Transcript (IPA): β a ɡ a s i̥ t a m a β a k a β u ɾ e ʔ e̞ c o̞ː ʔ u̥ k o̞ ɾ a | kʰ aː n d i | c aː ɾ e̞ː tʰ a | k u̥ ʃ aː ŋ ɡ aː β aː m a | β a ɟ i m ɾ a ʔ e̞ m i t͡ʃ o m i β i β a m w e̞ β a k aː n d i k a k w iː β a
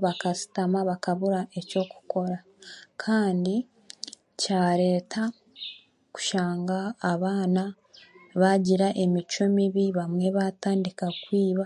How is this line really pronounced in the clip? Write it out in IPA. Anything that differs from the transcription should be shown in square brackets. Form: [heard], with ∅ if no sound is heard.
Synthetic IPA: β a [k] a s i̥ t a m a β a k a β u ɾ [a] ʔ e̞ c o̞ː [k] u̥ k o̞ ɾ a | kʰ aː n d i | c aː ɾ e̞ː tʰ a | k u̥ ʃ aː ŋ ɡ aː β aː [n] a | β a ɟ i [∅] ɾ a ʔ e̞ m i t͡ʃ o m i β i β a m w e̞ β a [t] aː n d i k a k w iː β a

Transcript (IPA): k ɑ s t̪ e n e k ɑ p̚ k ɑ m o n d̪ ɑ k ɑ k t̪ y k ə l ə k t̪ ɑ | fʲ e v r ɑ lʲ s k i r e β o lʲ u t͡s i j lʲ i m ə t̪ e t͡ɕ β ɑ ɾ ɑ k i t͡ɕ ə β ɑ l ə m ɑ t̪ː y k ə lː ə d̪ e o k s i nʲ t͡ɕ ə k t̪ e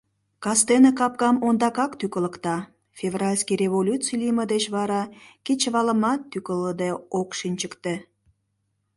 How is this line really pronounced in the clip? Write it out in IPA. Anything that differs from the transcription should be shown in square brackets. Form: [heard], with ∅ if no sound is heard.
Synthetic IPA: k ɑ s t̪ e n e k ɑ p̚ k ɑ m o n d̪ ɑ k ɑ k t̪ y k ə l ə k t̪ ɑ | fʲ e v r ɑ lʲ s k i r e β o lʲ u t͡s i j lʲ i m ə [d̪] e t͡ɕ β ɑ ɾ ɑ k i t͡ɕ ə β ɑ l ə m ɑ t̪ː y k ə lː ə d̪ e o k [ʃ] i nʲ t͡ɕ ə k t̪ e

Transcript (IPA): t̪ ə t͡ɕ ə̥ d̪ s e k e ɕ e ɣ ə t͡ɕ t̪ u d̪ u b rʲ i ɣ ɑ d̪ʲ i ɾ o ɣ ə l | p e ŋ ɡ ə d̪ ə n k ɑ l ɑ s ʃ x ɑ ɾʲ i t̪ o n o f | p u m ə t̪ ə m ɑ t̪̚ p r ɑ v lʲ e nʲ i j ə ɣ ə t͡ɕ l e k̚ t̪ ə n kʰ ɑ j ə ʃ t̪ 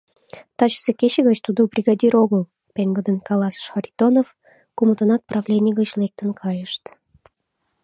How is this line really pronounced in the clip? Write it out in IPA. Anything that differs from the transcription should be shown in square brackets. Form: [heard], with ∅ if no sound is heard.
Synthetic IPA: t̪ [ɑ] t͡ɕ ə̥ [∅] s e k e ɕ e ɣ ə t͡ɕ t̪ u d̪ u b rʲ i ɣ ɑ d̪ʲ i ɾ o ɣ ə l | p e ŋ ɡ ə d̪ ə n k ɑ l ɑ s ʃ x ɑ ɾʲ i t̪ o n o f | [k] u m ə t̪ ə [n] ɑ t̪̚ p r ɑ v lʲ e nʲ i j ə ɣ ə t͡ɕ l e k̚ t̪ ə n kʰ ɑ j ə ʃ t̪

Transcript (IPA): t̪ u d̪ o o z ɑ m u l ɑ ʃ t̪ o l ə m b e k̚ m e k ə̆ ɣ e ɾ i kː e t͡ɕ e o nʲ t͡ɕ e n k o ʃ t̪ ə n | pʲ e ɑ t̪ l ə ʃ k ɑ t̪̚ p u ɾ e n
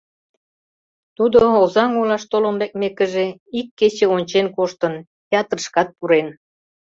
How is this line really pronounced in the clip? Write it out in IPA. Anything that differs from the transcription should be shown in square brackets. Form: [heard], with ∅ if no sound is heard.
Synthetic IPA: t̪ u d̪ o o z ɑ [ŋ] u l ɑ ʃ t̪ o l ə m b e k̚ m e k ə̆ [ʒ] e [∅] i kː e t͡ɕ e o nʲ t͡ɕ e n k o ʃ t̪ ə n | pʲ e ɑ t̪ [r] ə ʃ k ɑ t̪̚ p u ɾ e n

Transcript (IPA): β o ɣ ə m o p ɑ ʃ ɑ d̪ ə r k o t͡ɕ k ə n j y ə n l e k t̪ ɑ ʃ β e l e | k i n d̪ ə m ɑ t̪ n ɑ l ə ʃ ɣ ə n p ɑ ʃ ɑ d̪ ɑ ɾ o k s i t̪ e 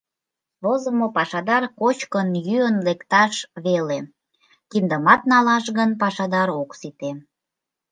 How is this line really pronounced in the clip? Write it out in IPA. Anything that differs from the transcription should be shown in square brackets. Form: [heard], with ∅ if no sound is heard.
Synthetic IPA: β o [z] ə m o p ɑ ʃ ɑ d̪ [ɑ] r k o t͡ɕ k ə n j y ə n l e k t̪ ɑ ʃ β e l e | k i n d̪ ə m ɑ t̪ n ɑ l [ɑ] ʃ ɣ ə n p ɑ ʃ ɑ d̪ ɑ ɾ o k s i t̪ e

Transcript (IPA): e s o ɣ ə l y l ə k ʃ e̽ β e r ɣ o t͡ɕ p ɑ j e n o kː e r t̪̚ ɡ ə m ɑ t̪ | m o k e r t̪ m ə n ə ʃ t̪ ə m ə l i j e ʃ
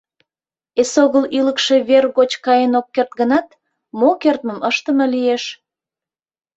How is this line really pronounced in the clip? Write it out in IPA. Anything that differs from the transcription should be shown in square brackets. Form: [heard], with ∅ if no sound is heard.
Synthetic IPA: e s o ɣ ə l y l ə k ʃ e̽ β e r ɣ o t͡ɕ [k] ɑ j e n o kː e r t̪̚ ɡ ə [n] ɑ t̪ | m o k e r t̪ m ə [m] ə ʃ t̪ ə m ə l i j e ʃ

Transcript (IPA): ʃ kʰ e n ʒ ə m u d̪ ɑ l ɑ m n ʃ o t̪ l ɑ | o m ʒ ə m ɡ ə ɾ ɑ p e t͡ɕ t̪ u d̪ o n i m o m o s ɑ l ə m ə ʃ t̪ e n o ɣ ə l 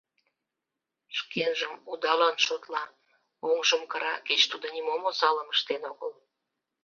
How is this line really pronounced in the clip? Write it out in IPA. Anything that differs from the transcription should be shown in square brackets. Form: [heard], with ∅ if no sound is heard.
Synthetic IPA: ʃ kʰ e n ʒ ə m u d̪ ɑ l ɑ [∅] n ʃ o t̪ l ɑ | o [ŋ] ʒ ə m [k] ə ɾ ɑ [k] e t͡ɕ t̪ u d̪ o n i m o m o s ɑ l ə m ə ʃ t̪ e n o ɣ ə l

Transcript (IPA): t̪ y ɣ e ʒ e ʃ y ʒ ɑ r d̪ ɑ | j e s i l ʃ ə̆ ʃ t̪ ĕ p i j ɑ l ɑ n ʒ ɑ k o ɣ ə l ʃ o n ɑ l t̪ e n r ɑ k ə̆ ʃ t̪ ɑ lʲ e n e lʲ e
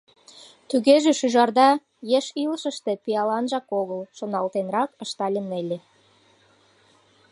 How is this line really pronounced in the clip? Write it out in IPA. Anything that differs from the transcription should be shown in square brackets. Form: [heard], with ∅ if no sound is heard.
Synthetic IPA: t̪ y ɣ e ʒ e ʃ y ʒ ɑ r d̪ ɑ | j e [ʃ] i l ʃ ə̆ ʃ t̪ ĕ p i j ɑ l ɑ n ʒ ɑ k o ɣ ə l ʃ o n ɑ l t̪ e n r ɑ k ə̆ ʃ t̪ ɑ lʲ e n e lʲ e

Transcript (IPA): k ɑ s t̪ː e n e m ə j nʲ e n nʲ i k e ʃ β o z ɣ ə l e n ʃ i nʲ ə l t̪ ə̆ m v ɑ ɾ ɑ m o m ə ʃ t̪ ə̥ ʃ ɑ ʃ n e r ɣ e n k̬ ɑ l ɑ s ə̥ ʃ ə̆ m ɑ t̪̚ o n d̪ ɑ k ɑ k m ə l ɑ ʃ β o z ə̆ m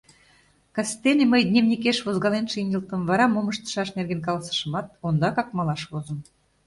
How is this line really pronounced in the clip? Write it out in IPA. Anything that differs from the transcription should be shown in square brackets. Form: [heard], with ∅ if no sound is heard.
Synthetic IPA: k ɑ s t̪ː e n e m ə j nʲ e [m] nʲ i k e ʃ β o z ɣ [ɑ] l e n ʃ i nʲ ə l t̪ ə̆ m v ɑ ɾ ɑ m o m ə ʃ t̪ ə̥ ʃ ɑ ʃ n e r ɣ e n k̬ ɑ l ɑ s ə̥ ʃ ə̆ m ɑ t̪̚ o n d̪ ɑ k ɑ k m [ɑ] l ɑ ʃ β o z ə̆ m

